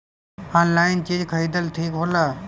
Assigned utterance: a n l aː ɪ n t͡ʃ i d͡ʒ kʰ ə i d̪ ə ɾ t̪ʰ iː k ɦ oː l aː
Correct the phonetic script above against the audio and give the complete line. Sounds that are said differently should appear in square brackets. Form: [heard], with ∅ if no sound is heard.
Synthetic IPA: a n l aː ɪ n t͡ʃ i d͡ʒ kʰ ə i d̪ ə [l] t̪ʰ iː k ɦ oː l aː